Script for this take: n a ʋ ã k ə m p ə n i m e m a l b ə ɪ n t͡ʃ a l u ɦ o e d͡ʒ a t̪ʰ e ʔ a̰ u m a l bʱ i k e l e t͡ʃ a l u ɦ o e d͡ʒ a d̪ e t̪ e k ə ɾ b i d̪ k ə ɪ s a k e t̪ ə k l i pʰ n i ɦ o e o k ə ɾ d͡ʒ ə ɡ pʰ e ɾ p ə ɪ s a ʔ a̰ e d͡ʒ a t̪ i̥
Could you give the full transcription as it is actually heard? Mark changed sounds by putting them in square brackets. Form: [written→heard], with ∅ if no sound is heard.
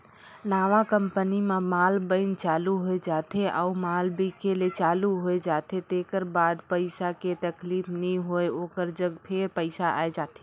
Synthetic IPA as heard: n a ʋ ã k ə m p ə n i m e m a l b ə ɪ n t͡ʃ a l u ɦ o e d͡ʒ a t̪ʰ e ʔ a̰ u m a l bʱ i k e l e t͡ʃ a l u ɦ o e d͡ʒ a [d̪→t̪] e t̪ e k ə ɾ b [i→a] d̪ [k→p] ə ɪ s a k e t̪ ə k l i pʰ n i ɦ o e o k ə ɾ d͡ʒ ə ɡ pʰ e ɾ p ə ɪ s a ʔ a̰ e d͡ʒ a t̪ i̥